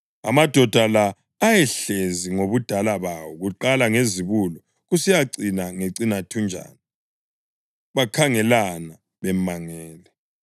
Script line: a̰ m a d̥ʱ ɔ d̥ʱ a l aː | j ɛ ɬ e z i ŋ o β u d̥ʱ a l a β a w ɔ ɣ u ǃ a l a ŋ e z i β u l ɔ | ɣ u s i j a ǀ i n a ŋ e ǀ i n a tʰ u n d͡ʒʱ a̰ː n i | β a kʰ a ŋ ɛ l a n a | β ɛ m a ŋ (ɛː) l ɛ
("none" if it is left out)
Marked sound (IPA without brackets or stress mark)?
ɛː